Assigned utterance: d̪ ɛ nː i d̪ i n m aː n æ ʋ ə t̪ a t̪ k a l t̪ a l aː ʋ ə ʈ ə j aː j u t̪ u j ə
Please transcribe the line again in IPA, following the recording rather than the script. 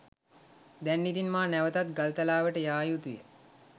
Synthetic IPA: d̪ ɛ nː i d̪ i n m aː n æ ʋ ə t̪ a t̪ ɡ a l t̪ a l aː ʋ ə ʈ ə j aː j u t̪ u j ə